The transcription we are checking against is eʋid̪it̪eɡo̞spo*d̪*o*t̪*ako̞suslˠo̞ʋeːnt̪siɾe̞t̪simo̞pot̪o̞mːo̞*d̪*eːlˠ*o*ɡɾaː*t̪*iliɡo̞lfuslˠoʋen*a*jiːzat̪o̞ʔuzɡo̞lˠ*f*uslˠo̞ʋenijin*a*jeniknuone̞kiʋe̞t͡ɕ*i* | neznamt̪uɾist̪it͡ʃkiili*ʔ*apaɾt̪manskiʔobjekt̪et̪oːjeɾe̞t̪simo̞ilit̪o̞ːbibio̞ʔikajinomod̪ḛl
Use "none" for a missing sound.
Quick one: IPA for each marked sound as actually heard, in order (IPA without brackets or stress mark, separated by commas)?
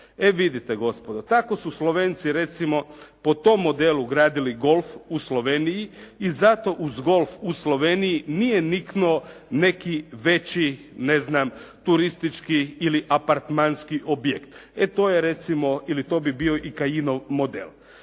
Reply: d̪, t̪, d̪, u, d̪, i, f, i, i, ʔ